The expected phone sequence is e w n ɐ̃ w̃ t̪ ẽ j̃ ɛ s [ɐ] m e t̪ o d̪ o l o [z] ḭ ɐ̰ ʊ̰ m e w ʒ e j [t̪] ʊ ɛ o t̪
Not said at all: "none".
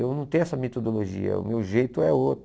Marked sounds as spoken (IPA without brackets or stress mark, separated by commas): ɐ, ʒ, t̪